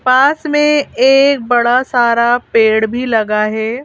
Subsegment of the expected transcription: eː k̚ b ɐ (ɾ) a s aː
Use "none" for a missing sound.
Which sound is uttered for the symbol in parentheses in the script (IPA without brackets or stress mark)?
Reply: ɽ